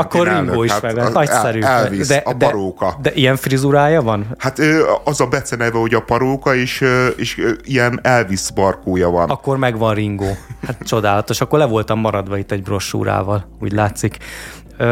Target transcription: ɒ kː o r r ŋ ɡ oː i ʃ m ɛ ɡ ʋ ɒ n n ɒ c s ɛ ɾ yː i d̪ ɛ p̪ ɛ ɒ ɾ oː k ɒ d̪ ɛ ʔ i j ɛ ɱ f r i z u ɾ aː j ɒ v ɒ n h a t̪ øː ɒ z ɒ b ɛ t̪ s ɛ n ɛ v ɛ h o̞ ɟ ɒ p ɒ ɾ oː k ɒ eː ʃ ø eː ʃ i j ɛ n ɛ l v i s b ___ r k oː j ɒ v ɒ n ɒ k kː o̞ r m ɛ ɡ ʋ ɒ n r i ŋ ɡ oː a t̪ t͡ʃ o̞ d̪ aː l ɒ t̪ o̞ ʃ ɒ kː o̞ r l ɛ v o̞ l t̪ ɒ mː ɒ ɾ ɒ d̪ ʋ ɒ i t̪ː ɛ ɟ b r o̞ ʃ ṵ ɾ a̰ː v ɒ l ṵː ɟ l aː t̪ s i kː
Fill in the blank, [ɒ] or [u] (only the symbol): ɒ